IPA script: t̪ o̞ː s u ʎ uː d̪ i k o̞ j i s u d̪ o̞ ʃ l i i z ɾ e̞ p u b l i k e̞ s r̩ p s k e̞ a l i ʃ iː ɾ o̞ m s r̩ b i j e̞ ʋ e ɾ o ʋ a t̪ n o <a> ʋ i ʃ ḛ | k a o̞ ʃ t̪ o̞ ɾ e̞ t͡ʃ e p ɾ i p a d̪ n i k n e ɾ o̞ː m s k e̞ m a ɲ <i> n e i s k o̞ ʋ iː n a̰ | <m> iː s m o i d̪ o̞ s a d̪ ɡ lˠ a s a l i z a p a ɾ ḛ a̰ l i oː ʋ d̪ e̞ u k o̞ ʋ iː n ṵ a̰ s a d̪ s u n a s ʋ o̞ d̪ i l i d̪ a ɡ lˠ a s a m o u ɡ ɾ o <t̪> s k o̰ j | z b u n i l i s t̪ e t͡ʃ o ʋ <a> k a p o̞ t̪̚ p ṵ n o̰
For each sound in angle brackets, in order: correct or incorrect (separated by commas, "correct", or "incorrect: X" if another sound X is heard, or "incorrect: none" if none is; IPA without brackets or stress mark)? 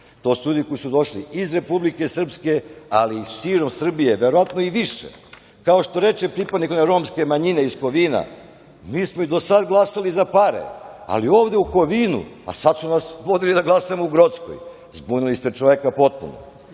incorrect: i, correct, correct, correct, incorrect: e